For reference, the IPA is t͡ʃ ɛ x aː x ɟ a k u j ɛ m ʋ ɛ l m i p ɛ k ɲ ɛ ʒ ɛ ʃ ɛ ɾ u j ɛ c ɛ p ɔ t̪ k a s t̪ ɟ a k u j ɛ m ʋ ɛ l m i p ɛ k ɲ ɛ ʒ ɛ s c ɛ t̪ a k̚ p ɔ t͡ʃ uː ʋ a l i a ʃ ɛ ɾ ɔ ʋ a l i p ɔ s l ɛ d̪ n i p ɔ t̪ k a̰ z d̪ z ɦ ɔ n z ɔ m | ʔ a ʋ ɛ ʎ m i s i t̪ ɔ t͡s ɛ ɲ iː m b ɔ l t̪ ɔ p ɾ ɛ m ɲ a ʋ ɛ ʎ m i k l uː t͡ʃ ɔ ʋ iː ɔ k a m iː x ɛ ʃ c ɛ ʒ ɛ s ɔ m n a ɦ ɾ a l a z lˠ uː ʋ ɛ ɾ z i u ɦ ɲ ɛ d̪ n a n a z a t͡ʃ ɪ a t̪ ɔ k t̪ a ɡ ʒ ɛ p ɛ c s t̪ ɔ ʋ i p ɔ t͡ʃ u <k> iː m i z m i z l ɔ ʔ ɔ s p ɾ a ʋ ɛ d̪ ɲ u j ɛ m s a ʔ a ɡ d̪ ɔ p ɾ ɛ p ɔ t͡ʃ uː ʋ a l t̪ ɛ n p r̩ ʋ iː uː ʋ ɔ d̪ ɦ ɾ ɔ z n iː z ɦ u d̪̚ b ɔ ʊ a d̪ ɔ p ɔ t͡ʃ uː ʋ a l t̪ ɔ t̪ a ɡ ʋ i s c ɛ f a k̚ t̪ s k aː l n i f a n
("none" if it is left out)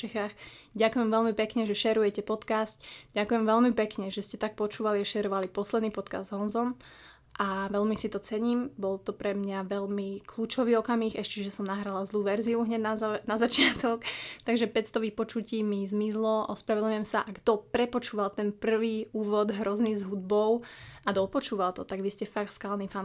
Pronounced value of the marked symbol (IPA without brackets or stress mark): c